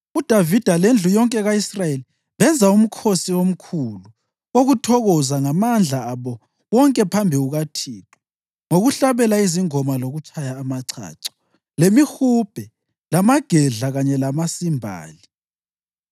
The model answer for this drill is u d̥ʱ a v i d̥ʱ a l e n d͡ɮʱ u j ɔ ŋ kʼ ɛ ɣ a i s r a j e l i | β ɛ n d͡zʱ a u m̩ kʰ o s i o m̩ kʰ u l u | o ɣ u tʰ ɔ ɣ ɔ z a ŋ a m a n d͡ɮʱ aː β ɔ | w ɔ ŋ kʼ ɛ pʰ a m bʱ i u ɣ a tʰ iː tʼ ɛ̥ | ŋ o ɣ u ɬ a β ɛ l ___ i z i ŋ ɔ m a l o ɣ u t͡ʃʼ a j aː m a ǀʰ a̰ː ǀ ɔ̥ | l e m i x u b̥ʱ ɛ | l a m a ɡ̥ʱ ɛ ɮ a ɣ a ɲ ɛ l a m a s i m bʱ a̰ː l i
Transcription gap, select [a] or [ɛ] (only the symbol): a